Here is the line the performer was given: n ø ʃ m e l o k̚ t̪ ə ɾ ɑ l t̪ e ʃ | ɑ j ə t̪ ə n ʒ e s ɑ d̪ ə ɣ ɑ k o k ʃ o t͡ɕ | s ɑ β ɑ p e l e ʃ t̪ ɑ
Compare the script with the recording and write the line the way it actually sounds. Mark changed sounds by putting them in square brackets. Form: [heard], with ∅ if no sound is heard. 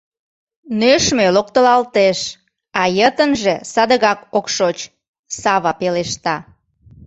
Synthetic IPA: n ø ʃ m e l o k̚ t̪ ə [l] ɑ l t̪ e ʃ | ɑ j ə t̪ ə n ʒ e s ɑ d̪ ə ɣ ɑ k o k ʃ o t͡ɕ | s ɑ β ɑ p e l e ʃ t̪ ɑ